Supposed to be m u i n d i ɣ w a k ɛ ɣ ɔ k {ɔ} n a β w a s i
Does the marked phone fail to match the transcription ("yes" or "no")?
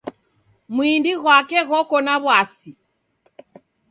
no